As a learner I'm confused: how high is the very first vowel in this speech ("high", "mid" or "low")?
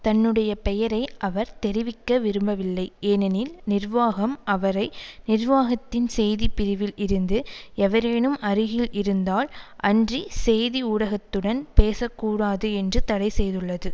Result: low